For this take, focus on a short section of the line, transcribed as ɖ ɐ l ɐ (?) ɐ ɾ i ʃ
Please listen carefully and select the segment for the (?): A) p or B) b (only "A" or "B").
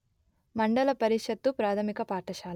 A